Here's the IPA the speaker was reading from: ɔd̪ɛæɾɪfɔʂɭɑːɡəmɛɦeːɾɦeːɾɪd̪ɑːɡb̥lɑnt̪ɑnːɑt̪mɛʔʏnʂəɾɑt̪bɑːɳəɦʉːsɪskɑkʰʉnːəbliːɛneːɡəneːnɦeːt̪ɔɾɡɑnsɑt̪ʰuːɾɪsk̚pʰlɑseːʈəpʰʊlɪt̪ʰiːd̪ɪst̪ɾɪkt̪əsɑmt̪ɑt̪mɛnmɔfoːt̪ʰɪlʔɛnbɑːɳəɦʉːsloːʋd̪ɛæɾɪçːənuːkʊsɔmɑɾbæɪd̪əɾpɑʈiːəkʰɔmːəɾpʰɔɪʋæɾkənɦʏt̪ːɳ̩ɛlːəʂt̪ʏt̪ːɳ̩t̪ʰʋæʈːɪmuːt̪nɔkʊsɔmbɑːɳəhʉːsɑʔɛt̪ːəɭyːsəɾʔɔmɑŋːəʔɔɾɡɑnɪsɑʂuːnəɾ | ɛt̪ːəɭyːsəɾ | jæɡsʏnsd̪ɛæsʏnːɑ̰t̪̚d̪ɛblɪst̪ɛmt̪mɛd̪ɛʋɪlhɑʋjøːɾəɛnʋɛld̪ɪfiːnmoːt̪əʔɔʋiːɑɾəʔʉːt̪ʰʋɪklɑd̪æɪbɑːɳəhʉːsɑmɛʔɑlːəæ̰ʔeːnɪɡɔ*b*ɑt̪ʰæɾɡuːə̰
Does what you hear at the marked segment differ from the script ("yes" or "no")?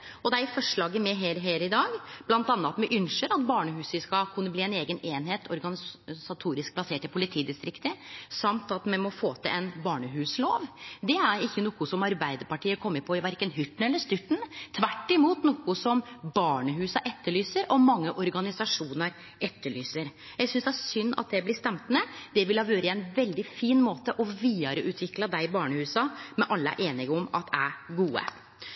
yes